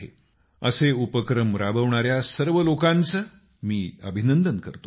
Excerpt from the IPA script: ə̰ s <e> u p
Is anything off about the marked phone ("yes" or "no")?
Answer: no